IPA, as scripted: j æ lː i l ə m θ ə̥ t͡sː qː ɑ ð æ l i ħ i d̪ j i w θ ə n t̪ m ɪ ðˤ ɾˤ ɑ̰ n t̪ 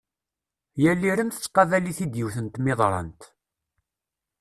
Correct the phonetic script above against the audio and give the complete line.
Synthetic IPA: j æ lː i ɾ ə m θ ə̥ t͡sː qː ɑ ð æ l i θ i d̪ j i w θ ə n t̪ m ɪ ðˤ ɾˤ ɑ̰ n t̪